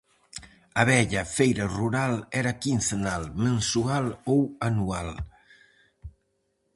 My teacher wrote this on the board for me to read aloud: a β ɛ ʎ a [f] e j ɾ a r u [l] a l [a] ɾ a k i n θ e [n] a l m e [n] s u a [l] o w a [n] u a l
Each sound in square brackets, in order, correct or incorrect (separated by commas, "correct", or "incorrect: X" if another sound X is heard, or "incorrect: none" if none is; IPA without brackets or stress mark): correct, incorrect: ɾ, incorrect: ɛ, correct, correct, correct, correct